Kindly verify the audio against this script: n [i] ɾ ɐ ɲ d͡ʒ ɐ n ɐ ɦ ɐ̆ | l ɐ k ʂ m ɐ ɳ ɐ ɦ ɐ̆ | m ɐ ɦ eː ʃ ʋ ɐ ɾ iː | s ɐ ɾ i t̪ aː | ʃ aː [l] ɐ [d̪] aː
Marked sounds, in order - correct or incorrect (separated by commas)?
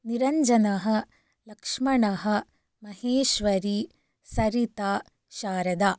correct, incorrect, correct